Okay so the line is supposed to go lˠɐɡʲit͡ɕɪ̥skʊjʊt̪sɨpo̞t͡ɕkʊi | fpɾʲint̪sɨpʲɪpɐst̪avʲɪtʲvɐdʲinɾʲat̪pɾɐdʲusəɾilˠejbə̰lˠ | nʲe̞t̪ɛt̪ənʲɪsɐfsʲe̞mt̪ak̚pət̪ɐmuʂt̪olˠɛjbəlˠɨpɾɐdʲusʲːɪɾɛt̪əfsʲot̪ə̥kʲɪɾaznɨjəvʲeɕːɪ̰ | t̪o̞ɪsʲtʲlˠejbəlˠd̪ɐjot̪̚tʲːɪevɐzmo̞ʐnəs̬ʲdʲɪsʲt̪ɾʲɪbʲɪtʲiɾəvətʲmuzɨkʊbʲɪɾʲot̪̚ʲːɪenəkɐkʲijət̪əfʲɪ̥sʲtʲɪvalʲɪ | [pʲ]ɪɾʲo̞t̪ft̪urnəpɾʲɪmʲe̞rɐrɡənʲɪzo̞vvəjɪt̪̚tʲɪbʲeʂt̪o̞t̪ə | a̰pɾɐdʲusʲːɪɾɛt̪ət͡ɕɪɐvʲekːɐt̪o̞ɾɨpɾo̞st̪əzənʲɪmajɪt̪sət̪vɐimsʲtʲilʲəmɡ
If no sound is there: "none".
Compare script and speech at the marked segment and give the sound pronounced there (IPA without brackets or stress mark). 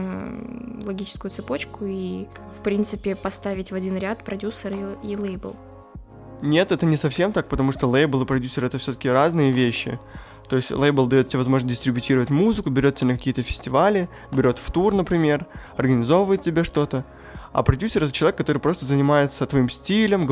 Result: bʲ